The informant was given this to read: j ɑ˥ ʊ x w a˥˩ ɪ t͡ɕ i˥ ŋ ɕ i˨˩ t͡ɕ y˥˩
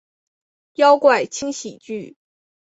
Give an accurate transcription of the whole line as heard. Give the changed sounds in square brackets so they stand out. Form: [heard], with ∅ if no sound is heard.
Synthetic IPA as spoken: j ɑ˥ ʊ [k] w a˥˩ ɪ [t͡ɕʰ] i˥ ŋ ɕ i˨˩ t͡ɕ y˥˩